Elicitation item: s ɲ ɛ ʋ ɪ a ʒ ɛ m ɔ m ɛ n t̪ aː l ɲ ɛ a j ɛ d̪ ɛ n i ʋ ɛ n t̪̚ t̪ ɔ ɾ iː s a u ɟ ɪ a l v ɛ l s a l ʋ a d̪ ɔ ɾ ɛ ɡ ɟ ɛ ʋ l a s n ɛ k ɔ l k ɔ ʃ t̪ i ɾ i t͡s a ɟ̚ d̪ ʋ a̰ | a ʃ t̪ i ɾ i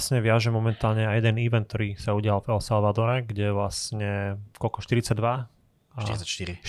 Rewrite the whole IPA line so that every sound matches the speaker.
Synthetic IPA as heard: s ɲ ɛ ʋ ɪ a ʒ ɛ m ɔ m ɛ n t̪ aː l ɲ ɛ a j ɛ d̪ ɛ n i ʋ ɛ n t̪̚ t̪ ɔ ɾ iː s a u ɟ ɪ a l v ɛ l s a l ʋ a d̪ ɔ ɾ ɛ ɡ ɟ ɛ ʋ l a s ɲ ɛ k ɔ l k ɔ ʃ t̪ i ɾ i t͡s a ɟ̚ d̪ ʋ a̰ | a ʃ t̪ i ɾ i